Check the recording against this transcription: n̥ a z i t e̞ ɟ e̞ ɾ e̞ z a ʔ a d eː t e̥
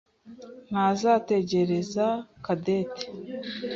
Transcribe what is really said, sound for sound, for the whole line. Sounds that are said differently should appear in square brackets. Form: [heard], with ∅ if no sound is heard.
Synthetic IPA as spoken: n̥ a z [a] t e̞ ɟ e̞ ɾ e̞ z a [k] a d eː t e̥